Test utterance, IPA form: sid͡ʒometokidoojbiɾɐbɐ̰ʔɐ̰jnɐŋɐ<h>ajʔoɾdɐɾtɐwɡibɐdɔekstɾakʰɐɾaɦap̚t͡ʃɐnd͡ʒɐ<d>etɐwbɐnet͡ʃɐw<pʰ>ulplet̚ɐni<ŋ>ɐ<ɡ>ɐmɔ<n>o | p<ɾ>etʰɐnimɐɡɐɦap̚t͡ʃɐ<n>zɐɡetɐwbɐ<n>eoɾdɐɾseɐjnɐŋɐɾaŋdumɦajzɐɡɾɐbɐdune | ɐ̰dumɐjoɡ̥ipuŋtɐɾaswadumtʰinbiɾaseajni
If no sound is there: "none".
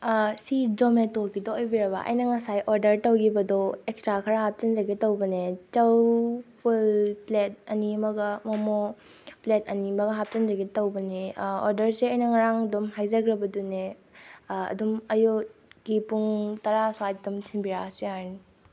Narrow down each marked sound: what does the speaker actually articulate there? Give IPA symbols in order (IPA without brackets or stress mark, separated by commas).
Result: s, ɡ, pʰ, m, ɡ, m, l, n, n